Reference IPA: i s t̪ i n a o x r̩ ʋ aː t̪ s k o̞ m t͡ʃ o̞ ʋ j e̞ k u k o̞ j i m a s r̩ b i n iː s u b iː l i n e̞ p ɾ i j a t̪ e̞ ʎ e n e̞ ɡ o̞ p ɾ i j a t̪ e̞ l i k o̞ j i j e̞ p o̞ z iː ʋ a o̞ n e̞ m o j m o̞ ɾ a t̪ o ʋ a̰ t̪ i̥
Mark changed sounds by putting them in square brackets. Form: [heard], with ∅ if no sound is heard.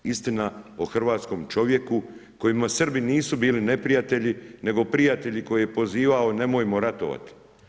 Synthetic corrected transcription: i s t̪ i n a o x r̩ ʋ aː t̪ s k o̞ m t͡ʃ o̞ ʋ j e̞ k u k o̞ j i m a s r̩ b i n iː s u b iː l i n e̞ p ɾ i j a t̪ e̞ ʎ [i] n e̞ ɡ o̞ p ɾ i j a t̪ e̞ [ʎ] i k o̞ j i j e̞ p o̞ z iː ʋ a o̞ n e̞ m o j m o̞ ɾ a t̪ o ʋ a̰ t̪ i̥